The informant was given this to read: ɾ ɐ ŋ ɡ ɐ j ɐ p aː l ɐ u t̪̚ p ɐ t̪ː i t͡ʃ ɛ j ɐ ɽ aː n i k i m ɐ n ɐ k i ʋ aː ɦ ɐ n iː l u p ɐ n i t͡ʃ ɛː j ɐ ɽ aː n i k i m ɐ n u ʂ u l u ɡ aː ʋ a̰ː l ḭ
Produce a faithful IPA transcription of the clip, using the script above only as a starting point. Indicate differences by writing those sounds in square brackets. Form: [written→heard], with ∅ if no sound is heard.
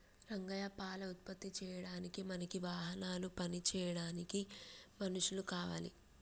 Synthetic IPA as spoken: ɾ ɐ ŋ ɡ ɐ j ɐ p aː l ɐ u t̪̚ p ɐ t̪ː i t͡ʃ [ɛ→ɛː] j ɐ ɽ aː n i k i m ɐ n ɐ k i ʋ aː ɦ ɐ n [iː→aː] l u p ɐ n i t͡ʃ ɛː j ɐ ɽ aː n i k i m ɐ n u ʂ u l u [ɡ→k] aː ʋ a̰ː l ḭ